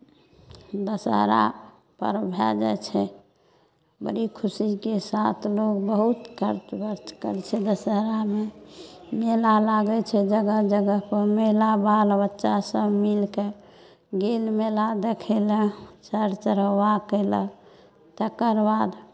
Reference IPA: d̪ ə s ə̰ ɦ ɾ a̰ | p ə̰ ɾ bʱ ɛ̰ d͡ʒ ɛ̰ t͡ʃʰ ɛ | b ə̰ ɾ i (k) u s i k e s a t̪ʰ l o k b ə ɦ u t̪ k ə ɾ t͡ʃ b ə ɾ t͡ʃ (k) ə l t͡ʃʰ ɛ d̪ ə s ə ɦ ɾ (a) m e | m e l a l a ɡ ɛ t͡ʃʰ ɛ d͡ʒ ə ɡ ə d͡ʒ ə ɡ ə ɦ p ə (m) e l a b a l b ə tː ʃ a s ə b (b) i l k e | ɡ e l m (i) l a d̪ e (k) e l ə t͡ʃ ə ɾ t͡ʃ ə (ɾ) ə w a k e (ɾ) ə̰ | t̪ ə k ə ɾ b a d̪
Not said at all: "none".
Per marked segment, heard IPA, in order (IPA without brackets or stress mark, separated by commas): kʰ, k, a, m, m, e, kʰ, ɾ, l